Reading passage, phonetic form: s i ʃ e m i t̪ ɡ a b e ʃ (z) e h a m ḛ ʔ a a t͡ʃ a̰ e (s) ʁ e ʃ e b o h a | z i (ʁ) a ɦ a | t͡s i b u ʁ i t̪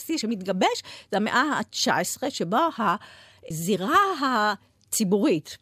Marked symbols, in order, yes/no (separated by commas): yes, yes, yes